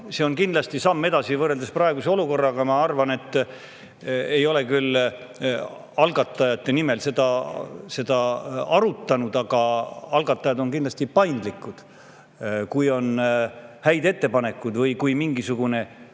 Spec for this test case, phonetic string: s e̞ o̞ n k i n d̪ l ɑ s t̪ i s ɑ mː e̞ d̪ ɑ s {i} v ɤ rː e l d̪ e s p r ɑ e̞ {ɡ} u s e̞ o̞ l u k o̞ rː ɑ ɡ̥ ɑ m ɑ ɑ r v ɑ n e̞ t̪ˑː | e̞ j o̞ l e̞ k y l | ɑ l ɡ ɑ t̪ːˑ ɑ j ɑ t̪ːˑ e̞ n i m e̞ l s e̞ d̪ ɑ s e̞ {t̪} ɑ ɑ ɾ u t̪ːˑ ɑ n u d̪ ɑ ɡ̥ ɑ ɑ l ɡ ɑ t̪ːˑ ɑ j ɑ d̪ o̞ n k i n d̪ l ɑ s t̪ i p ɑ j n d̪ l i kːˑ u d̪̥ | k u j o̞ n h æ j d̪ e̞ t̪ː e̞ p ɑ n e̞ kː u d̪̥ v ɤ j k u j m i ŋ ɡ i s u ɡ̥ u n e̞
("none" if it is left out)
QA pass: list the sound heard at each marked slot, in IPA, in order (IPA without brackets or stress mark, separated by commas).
i, ɡ, d̪